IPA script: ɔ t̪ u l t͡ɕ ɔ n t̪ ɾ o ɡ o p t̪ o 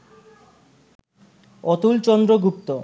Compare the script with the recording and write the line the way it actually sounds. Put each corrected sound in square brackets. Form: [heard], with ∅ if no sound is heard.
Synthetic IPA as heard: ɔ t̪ u l t͡ɕ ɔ n [d̪] ɾ o ɡ [u] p t̪ o

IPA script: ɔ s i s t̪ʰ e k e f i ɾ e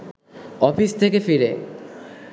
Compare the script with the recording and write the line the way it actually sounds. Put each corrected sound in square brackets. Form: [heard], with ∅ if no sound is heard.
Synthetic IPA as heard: ɔ [f] i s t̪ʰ e k e f i ɾ e

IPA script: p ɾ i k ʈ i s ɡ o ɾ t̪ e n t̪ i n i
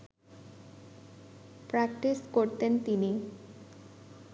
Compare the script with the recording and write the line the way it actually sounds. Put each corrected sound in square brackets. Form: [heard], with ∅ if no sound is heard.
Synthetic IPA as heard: p ɾ [a] k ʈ i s [k] o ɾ t̪ e n t̪ i n i

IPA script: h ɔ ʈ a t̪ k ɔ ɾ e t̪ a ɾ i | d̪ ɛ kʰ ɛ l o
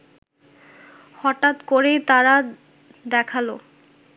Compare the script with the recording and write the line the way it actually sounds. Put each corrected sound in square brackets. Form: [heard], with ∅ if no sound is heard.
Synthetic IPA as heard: h ɔ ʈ a t̪ k [o] ɾ e t̪ a ɾ [a] | d̪ ɛ kʰ [a] l o

